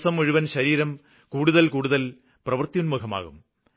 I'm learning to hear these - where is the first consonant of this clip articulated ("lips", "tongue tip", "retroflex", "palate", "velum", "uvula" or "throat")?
tongue tip